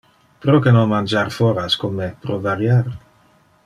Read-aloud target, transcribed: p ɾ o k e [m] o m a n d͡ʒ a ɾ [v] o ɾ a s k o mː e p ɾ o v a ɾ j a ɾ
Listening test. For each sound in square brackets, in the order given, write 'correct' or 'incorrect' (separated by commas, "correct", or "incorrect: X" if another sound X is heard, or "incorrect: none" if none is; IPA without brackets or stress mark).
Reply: incorrect: n, incorrect: f